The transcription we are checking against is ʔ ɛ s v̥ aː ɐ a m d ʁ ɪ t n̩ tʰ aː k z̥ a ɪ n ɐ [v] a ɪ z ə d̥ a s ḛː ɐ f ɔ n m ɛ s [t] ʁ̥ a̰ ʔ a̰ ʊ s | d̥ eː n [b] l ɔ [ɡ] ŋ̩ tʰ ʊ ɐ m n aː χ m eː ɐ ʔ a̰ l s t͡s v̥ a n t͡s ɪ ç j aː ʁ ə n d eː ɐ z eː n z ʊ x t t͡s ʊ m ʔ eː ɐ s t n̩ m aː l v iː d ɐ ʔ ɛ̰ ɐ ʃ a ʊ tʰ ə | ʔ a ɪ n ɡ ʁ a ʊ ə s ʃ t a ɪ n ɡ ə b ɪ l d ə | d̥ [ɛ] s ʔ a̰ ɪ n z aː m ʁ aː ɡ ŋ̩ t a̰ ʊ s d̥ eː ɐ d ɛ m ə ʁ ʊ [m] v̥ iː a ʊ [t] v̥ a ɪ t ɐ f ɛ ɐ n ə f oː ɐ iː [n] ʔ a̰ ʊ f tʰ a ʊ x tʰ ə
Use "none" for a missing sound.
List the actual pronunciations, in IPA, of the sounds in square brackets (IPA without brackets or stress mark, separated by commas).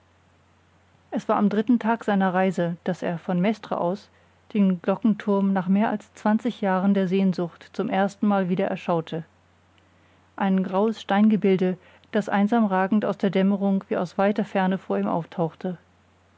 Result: ʁ, t, ɡ, k, a, ŋ, s, m